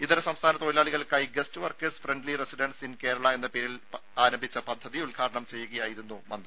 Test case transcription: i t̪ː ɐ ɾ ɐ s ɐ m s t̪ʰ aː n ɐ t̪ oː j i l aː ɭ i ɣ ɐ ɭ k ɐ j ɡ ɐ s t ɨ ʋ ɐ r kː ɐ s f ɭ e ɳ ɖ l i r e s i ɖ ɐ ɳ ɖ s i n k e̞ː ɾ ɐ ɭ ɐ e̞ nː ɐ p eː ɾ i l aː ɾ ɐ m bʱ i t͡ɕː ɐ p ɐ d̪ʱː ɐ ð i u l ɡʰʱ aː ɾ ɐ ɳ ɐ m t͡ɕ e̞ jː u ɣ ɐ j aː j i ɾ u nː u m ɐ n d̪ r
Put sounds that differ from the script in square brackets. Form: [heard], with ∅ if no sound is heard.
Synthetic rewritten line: i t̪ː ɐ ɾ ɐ s ɐ m s t̪ʰ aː n ɐ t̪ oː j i l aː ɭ i ɣ ɐ ɭ k ɐ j ɡ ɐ s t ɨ ʋ ɐ r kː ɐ s f [r] e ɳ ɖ l i r e s i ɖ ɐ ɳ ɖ s i n k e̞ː ɾ ɐ ɭ ɐ e̞ nː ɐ p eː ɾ i l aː ɾ ɐ m bʱ i t͡ɕː ɐ p ɐ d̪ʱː ɐ ð i u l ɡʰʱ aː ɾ ɐ ɳ ɐ m t͡ɕ e̞ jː u ɣ ɐ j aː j i ɾ u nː u m ɐ n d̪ r

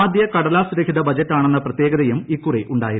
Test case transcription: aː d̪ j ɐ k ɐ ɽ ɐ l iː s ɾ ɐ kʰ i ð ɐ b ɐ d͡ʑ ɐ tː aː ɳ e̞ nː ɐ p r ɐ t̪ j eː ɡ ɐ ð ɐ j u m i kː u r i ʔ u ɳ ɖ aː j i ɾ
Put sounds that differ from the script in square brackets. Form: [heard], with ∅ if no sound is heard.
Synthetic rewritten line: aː d̪ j ɐ k ɐ ɽ ɐ l [aː] s ɾ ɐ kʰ i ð ɐ b ɐ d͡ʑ ɐ tː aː ɳ e̞ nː ɐ p r ɐ t̪ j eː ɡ ɐ ð ɐ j u m i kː u r i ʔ u ɳ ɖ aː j i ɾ

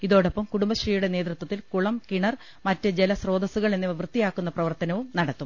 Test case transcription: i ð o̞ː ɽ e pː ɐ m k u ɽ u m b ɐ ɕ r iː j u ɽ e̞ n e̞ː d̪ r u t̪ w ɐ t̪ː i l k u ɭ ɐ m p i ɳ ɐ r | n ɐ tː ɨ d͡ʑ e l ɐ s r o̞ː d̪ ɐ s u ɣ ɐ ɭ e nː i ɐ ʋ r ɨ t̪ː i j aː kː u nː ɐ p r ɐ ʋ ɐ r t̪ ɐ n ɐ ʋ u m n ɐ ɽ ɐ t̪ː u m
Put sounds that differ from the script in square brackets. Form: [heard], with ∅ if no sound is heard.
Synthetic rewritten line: i ð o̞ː ɽ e pː ɐ m k u ɽ u m b ɐ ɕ r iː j u ɽ e̞ n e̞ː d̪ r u t̪ w ɐ t̪ː i l k u ɭ ɐ m [k] i ɳ ɐ r | [m] ɐ tː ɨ d͡ʑ e l ɐ s r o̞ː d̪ ɐ s u ɣ ɐ ɭ e nː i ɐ ʋ r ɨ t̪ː i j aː kː u nː ɐ p r ɐ ʋ ɐ r t̪ ɐ n ɐ ʋ u m n ɐ ɽ ɐ t̪ː u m

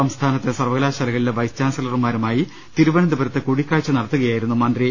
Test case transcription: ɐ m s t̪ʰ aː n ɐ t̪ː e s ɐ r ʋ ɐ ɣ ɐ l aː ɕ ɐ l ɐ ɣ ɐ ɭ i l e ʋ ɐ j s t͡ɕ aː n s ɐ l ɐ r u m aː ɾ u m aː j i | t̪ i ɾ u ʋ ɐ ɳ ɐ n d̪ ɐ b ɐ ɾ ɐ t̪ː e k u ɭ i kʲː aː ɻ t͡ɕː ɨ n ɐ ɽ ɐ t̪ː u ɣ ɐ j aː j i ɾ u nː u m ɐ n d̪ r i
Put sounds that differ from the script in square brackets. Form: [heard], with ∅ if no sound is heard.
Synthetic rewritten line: ɐ m s t̪ʰ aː n ɐ t̪ː e s ɐ r ʋ ɐ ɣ ɐ l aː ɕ ɐ l ɐ ɣ ɐ ɭ i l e ʋ ɐ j s t͡ɕ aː n s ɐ l ɐ r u m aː ɾ u m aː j i | t̪ i ɾ u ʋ ɐ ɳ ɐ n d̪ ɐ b ɐ ɾ ɐ t̪ː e k u [ɽ] i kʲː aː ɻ t͡ɕː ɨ n ɐ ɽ ɐ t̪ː u ɣ ɐ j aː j i ɾ u nː u m ɐ n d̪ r i

